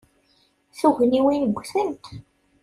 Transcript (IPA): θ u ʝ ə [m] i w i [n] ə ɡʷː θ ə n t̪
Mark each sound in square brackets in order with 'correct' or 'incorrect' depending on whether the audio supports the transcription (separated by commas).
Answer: incorrect, correct